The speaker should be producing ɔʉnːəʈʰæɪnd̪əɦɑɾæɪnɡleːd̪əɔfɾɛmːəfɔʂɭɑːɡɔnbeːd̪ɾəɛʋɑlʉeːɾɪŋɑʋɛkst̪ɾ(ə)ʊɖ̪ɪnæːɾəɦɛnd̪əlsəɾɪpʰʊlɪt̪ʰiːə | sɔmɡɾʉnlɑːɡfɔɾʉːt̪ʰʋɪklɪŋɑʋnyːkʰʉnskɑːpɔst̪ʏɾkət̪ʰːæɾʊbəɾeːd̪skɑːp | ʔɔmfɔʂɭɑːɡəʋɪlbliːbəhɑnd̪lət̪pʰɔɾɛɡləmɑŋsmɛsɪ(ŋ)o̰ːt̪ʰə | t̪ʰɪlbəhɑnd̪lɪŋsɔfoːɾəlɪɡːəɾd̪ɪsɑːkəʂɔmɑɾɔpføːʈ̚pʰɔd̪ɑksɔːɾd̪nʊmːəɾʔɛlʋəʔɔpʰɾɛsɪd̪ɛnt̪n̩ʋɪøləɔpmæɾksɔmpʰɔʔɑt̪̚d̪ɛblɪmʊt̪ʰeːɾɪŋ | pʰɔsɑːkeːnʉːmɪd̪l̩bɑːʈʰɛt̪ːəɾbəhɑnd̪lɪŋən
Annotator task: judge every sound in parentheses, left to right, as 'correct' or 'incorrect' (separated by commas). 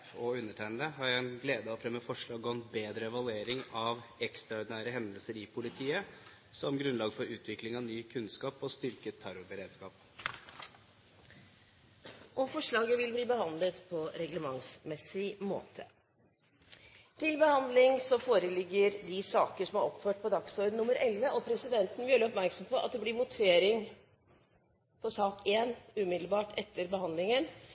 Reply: incorrect, incorrect